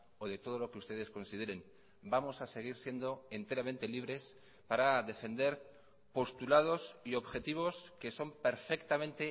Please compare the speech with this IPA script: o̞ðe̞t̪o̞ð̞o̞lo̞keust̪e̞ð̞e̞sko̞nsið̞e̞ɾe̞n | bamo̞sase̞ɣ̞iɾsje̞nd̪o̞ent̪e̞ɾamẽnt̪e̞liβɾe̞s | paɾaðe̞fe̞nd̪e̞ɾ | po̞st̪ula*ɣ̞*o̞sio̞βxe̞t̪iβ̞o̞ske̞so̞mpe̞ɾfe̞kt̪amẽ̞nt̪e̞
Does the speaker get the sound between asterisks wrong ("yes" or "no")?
yes